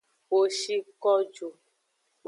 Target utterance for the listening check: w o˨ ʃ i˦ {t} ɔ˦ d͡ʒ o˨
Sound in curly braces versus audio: incorrect: k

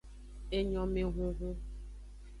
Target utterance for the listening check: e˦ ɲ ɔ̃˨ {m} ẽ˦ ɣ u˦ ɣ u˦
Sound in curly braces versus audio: correct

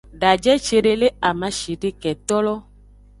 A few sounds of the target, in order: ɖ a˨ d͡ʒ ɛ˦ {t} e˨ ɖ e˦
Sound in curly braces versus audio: incorrect: t͡ʃ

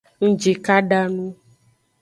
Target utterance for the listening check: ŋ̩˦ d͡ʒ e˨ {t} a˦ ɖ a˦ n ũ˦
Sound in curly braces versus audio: incorrect: k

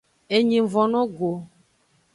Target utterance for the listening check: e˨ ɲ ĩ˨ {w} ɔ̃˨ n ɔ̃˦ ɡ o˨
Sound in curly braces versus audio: incorrect: v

